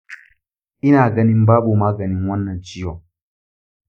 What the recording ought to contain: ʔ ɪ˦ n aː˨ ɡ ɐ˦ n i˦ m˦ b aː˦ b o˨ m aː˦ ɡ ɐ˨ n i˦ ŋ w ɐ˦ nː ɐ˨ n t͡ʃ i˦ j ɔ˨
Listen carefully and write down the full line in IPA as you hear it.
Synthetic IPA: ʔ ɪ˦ n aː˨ ɡ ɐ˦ n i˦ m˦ b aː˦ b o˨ m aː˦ ɡ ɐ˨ n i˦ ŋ w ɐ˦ nː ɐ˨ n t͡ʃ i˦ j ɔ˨